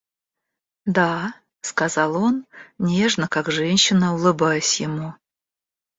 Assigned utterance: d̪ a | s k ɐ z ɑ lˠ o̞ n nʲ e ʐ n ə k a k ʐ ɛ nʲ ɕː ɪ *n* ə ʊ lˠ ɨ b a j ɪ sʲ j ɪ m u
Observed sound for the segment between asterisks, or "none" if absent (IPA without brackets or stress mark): n